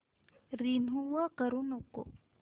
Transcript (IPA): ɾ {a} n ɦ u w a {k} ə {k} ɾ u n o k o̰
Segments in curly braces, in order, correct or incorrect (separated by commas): incorrect, correct, incorrect